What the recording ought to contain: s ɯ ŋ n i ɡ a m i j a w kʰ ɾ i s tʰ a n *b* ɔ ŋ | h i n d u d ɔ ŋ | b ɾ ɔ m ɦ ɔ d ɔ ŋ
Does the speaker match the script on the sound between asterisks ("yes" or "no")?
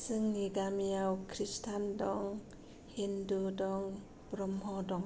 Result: no